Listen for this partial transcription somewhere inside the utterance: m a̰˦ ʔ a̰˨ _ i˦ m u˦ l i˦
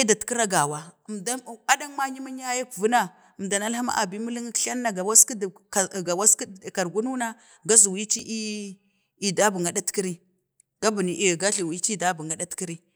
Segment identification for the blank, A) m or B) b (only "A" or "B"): B